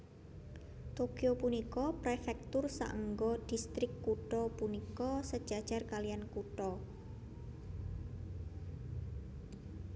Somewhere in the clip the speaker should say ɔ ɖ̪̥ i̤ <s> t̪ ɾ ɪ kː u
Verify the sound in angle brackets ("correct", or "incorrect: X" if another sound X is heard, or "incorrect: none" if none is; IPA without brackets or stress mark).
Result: correct